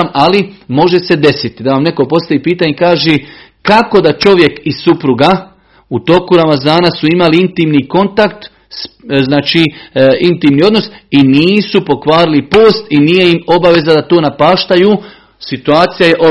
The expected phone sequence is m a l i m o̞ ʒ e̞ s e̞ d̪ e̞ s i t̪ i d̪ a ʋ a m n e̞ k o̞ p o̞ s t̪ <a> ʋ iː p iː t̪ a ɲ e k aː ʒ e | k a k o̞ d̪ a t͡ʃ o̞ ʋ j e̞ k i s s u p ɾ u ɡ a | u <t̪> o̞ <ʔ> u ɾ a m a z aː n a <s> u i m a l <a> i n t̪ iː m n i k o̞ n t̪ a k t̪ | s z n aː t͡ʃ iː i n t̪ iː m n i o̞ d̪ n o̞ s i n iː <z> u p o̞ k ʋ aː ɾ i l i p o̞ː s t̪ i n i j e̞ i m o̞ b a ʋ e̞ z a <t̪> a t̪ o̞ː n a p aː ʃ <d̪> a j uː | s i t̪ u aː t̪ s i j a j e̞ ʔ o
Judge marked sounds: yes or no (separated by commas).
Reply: yes, yes, no, yes, no, no, no, no